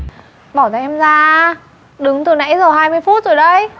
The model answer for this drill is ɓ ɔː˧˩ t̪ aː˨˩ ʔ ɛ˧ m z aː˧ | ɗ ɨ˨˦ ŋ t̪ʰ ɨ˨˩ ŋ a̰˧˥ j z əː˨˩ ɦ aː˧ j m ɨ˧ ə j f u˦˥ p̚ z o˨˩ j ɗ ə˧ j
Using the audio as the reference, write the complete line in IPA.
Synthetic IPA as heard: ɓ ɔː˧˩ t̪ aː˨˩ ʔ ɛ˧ m z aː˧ | ɗ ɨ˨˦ ŋ t̪ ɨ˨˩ n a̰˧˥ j z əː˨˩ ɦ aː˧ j m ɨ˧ ə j f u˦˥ t̚ z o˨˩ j ɗ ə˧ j